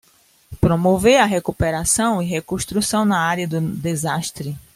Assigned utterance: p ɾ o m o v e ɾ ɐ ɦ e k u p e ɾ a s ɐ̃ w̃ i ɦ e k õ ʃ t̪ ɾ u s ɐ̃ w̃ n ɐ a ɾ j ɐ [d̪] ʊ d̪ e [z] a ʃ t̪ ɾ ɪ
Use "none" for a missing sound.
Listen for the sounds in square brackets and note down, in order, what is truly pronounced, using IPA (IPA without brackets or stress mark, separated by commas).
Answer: d̪, z